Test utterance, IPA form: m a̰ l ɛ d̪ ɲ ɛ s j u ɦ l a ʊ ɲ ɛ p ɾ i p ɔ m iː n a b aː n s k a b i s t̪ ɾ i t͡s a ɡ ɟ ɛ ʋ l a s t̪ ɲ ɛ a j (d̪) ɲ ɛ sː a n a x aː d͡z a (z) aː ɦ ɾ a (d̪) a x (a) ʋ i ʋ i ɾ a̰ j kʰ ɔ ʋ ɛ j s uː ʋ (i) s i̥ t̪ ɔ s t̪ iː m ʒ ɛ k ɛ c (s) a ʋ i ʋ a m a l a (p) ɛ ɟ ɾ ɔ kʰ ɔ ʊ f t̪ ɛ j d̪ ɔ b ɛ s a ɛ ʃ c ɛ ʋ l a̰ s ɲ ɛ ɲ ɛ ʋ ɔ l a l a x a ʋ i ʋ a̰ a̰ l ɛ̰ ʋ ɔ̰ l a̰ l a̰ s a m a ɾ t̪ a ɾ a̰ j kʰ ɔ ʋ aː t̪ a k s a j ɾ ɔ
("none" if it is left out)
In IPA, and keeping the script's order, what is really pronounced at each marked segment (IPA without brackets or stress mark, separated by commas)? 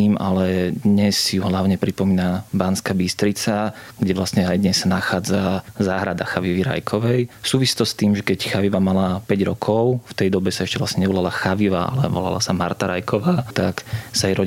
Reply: d̪, z, d̪, a, i, x, p